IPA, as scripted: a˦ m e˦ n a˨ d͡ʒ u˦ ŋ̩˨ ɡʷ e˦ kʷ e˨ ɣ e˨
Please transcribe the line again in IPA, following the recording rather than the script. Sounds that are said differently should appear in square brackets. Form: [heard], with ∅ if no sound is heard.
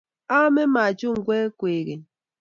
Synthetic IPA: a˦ m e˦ [m] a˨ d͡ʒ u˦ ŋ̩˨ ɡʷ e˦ kʷ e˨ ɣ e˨